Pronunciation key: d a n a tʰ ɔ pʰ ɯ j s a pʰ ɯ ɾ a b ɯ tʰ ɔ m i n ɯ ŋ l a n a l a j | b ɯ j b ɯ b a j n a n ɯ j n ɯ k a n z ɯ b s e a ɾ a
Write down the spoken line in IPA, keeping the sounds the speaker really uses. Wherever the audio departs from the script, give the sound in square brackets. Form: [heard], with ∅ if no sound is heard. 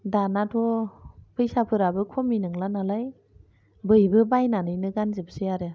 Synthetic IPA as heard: d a n a tʰ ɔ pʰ ɯ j s a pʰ ɯ ɾ a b ɯ [kʰ] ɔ m i n ɯ ŋ l a n a l a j | b ɯ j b ɯ b a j n a n ɯ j n ɯ [ɡ] a n z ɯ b s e a ɾ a